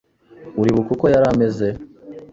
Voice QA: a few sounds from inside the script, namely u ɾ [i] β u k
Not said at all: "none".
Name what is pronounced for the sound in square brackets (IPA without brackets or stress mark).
i